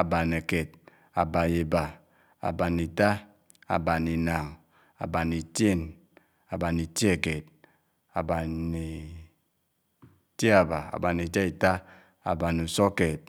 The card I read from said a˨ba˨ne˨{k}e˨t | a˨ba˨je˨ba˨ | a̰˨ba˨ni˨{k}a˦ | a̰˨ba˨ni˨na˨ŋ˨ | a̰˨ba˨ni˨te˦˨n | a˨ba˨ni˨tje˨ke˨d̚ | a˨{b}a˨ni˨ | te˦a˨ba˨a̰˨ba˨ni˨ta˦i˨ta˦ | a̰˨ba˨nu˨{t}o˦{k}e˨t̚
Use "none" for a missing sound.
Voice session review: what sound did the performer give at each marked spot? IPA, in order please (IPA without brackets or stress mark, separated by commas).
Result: k, t, b, s, k